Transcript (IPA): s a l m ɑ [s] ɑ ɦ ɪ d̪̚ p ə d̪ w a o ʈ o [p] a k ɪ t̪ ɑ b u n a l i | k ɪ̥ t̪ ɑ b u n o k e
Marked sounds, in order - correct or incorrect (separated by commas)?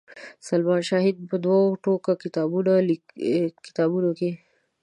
incorrect, incorrect